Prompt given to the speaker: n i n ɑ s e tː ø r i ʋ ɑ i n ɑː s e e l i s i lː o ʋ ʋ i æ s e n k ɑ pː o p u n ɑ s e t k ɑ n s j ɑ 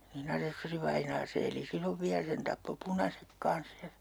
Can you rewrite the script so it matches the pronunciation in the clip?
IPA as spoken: n i n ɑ s e sː ø r i ʋ ɑ i n ɑː s e e l i s i lː o ʋ ʋ i æ s e n t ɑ pː o p u n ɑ s e k k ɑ n s j ɑ